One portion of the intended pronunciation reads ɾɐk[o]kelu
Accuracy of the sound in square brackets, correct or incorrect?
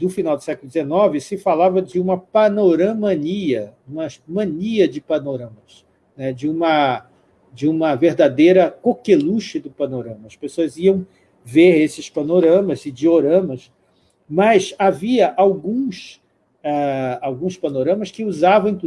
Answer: correct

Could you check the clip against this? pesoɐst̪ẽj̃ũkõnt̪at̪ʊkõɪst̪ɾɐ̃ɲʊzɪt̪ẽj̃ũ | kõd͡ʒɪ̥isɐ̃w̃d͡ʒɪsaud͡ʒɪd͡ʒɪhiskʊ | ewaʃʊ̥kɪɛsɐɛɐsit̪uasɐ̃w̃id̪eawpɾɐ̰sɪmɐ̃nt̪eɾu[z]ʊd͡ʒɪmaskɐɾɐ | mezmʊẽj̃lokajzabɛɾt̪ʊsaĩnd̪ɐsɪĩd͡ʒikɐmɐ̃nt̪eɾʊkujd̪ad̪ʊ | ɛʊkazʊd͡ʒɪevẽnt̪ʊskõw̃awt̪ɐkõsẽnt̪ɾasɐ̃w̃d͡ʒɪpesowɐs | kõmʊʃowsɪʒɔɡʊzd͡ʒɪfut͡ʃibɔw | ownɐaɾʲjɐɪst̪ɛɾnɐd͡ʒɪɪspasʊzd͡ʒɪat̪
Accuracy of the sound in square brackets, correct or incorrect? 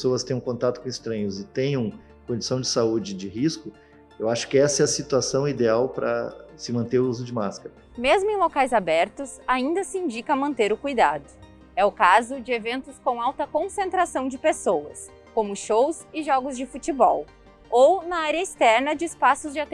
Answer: correct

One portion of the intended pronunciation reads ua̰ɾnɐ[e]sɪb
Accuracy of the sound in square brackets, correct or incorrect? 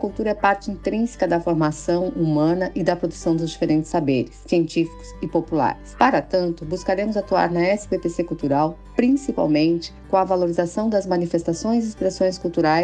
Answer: incorrect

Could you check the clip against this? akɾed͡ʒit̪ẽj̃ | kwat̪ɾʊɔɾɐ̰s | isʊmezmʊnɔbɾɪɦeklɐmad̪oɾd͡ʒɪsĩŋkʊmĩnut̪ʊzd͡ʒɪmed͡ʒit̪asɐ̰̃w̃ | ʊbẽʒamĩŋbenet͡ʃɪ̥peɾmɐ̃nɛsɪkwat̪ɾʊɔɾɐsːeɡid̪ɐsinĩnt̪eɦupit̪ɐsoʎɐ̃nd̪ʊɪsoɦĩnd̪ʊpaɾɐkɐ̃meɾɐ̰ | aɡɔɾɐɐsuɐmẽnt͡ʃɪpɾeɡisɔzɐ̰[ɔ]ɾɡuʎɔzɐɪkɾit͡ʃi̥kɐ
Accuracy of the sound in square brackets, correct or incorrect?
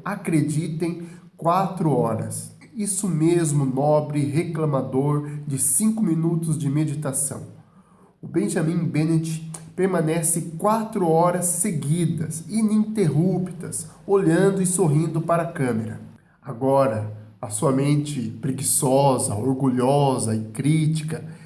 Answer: incorrect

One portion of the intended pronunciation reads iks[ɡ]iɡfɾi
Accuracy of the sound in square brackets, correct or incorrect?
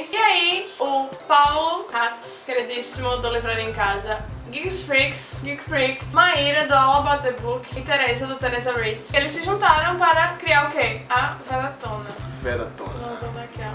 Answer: correct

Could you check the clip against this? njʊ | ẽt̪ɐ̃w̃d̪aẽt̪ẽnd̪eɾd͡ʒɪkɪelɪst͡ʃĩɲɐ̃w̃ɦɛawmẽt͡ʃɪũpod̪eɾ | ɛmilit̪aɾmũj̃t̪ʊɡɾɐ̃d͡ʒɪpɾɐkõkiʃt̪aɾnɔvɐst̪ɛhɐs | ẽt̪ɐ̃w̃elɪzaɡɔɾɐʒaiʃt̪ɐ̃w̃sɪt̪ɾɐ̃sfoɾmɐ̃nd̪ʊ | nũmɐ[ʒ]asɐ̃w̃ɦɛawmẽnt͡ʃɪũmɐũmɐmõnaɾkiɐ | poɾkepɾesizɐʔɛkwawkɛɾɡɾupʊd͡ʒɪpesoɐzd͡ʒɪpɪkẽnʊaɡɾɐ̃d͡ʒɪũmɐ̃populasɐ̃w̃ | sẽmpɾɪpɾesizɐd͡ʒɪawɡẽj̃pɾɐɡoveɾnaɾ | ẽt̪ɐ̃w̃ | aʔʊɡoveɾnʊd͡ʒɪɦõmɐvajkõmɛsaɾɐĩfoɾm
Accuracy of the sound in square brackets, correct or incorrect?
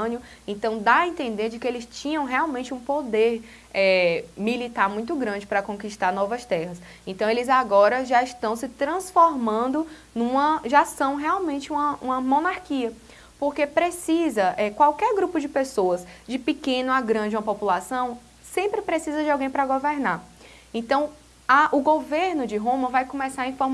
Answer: correct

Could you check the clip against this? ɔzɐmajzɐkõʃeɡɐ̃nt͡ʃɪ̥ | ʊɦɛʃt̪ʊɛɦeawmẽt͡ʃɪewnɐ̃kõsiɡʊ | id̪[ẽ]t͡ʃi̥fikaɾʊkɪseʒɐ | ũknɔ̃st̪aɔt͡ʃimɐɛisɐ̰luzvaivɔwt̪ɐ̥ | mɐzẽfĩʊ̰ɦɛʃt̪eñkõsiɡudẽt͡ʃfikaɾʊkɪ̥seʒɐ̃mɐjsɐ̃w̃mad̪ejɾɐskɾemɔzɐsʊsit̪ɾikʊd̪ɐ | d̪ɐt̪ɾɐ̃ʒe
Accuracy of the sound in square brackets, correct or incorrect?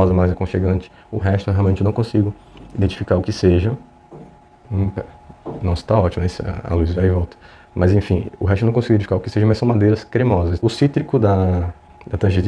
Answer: correct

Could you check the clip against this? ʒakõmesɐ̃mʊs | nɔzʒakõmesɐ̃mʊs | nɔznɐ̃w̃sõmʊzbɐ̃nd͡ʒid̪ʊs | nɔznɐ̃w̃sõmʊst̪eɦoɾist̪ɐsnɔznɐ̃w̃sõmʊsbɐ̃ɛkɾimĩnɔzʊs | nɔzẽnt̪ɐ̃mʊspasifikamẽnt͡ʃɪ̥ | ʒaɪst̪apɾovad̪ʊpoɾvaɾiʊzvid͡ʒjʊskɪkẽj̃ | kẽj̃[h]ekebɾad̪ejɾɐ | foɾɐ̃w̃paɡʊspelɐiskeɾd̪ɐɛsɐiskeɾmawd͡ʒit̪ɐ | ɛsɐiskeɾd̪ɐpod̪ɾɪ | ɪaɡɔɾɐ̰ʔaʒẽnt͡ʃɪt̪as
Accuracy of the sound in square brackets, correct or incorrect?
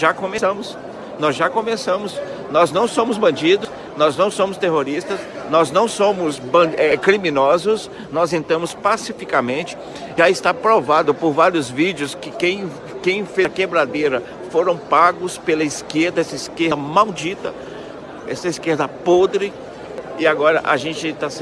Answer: incorrect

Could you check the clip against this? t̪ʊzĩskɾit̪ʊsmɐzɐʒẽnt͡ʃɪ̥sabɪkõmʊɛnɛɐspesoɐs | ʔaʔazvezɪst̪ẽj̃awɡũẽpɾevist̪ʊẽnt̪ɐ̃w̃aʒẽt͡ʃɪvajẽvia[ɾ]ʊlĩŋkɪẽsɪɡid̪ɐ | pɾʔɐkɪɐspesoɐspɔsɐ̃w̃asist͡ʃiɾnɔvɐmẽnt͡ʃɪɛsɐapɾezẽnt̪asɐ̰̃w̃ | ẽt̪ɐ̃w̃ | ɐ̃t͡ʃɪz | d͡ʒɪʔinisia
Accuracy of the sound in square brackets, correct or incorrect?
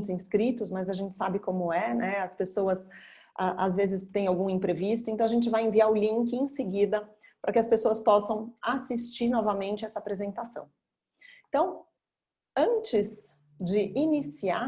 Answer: correct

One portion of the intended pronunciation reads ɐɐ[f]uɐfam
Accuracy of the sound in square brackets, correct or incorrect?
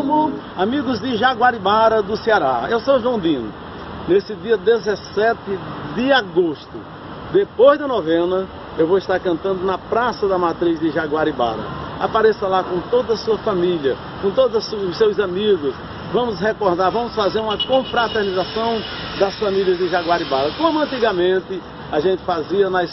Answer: incorrect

